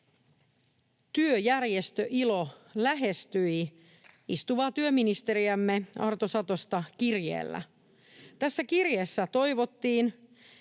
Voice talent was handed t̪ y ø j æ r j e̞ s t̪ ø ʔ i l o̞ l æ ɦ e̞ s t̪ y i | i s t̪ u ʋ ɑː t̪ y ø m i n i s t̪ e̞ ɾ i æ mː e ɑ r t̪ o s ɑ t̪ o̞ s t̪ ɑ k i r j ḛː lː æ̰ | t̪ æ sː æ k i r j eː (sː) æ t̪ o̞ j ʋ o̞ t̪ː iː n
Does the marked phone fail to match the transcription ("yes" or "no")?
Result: no